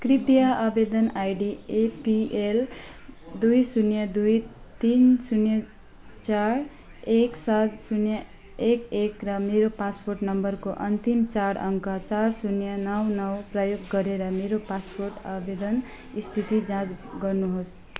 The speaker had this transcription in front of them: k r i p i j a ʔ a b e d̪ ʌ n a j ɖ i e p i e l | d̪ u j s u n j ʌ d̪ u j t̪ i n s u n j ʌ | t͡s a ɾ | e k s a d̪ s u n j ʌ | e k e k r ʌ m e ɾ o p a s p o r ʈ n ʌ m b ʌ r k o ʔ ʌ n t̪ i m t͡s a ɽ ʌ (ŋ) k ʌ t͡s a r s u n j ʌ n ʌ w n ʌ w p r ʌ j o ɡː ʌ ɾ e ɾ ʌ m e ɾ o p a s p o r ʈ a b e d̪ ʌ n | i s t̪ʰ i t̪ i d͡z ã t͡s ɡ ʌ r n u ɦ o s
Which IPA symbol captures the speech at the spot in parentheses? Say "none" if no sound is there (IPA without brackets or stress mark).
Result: ŋ